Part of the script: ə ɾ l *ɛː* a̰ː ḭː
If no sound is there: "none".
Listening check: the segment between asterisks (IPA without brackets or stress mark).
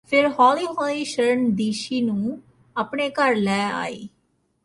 ɛː